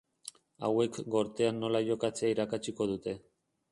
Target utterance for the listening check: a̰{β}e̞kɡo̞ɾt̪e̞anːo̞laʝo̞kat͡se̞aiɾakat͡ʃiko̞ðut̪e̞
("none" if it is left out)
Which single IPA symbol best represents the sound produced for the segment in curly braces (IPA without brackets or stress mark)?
w